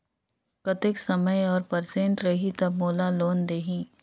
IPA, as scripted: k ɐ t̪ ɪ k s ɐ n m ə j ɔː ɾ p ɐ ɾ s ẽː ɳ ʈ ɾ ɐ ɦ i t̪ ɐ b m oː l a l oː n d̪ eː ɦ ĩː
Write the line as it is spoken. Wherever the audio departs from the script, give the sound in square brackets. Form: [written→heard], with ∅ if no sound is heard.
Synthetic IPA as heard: k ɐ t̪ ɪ k s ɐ [n→∅] m ə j ɔː ɾ p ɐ ɾ s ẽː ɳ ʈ ɾ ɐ ɦ i t̪ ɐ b m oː l a l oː n d̪ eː ɦ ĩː